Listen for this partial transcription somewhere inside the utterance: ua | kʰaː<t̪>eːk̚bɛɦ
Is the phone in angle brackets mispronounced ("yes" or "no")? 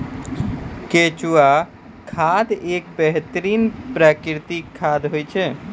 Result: yes